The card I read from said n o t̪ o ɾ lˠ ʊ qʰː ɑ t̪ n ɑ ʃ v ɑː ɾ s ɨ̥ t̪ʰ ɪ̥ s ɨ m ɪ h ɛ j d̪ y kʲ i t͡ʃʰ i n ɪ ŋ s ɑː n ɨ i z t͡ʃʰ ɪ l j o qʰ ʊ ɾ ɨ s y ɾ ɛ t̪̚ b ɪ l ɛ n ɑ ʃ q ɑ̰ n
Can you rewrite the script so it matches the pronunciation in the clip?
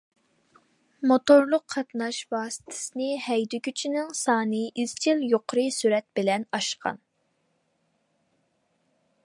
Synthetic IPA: m o t̪ o ɾ lˠ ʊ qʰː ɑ t̪ n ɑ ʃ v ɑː s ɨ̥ t̪ʰ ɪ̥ s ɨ n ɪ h ɛ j d̪ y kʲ y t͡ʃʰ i n ɪ ŋ s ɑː n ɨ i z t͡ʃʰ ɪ l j o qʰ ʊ ɾ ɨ s y ɾ ɛ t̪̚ b ɪ l ɛ n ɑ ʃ q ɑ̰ n